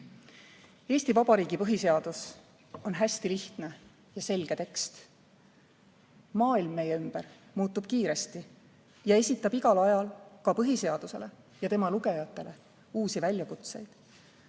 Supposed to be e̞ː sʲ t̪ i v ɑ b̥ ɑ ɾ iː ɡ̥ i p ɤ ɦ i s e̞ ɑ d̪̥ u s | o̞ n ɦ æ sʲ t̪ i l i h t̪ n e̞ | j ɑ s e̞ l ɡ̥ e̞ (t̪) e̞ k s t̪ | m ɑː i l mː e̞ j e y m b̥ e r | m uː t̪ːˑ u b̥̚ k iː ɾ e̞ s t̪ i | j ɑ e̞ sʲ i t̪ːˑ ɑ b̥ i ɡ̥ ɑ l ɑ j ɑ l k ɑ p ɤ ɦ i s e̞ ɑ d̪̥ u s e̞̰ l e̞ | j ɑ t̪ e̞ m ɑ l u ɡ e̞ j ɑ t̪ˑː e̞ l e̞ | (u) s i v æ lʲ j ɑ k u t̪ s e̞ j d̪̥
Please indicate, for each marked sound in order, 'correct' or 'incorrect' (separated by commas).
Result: correct, incorrect